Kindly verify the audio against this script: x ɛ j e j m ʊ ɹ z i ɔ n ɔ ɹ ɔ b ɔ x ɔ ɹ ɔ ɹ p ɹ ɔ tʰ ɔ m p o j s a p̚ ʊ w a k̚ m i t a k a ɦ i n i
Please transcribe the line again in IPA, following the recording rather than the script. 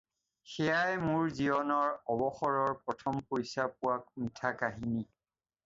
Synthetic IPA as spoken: x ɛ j a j m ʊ ɹ z i ɔ n ɔ ɹ ɔ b ɔ x ɔ ɹ ɔ ɹ p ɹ ɔ tʰ ɔ m p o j s a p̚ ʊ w a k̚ m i tʰ a k a ɦ i n i